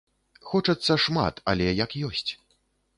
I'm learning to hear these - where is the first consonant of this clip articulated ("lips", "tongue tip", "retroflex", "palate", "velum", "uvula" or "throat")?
velum